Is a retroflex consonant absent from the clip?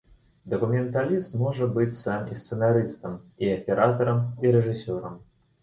no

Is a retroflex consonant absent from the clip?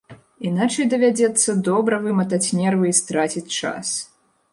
no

